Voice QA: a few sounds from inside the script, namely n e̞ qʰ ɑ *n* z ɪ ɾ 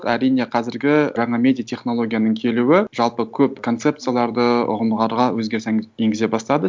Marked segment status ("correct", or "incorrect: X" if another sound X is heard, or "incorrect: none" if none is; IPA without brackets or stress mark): incorrect: none